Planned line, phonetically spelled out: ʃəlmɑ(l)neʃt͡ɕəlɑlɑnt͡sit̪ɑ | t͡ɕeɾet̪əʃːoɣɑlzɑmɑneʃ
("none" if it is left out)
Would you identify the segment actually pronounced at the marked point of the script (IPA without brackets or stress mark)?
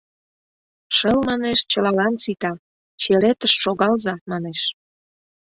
none